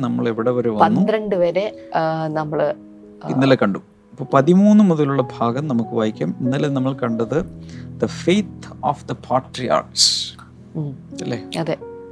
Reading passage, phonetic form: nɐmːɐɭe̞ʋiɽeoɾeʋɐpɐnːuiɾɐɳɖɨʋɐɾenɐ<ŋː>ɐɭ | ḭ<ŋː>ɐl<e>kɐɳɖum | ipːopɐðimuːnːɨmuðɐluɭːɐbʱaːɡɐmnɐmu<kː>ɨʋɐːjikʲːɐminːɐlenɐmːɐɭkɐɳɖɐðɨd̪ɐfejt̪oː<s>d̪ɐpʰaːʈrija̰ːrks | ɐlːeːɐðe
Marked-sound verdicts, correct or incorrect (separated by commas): incorrect, incorrect, correct, correct, incorrect